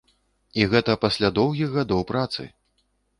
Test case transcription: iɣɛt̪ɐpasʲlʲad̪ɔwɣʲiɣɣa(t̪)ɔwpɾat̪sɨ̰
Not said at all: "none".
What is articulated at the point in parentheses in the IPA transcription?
d̪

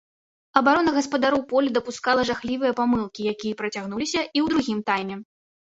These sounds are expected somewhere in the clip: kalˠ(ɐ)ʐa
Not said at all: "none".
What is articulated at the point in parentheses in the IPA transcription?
ɐ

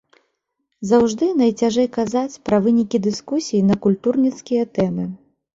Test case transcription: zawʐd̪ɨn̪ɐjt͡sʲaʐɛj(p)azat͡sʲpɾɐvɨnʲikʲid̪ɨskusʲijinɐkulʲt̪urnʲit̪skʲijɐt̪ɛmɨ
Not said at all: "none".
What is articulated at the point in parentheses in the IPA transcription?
k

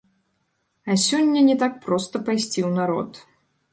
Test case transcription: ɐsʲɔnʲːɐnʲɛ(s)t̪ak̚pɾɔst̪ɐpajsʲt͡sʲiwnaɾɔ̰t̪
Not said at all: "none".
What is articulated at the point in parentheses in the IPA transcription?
none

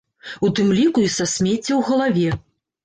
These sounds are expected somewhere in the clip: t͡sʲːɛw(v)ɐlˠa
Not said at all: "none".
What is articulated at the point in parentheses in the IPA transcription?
ɣ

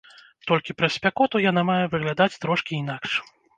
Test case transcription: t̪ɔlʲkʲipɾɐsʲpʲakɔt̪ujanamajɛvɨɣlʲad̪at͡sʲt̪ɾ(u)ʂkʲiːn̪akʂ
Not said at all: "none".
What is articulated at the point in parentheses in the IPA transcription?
ɔ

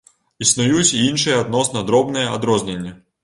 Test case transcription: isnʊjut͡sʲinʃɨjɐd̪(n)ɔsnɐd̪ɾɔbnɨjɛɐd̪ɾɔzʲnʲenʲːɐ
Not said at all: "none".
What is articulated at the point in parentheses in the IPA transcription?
n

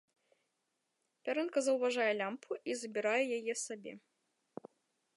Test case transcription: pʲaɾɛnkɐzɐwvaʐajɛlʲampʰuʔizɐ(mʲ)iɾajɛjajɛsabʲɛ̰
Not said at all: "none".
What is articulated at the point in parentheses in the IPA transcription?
bʲ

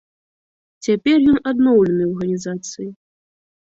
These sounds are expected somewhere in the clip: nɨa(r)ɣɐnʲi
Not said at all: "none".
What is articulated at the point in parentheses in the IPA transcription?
r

